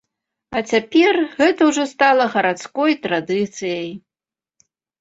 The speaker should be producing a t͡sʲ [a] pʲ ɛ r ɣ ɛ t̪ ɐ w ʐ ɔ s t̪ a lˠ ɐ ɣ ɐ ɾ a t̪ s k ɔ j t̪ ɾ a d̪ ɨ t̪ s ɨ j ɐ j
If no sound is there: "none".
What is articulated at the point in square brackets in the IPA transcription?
a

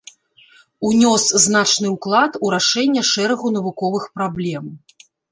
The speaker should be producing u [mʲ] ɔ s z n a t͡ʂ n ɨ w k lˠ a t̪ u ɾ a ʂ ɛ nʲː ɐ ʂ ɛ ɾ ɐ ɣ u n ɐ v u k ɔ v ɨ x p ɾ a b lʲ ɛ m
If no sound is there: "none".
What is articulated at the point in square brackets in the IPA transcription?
nʲ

